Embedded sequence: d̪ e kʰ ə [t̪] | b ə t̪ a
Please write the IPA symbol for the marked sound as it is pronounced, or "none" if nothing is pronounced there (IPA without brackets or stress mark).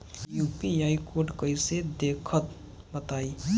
t̪